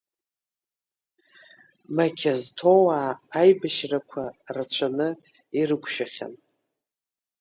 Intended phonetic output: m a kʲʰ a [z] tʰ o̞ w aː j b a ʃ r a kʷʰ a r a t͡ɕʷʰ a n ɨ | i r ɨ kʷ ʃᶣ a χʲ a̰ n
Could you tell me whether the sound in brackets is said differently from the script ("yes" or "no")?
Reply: no